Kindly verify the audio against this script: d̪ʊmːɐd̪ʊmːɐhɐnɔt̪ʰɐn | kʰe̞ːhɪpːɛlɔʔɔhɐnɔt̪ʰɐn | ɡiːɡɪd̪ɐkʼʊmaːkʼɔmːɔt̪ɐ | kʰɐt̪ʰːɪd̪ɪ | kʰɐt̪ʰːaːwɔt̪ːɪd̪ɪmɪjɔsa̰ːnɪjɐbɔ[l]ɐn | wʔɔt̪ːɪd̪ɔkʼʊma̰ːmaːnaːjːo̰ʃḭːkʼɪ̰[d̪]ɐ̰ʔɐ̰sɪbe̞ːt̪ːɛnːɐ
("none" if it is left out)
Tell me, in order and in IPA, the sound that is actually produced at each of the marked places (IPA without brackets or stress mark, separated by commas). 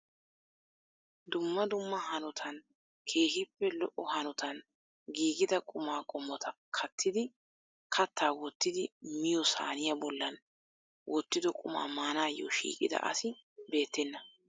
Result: lː, d̪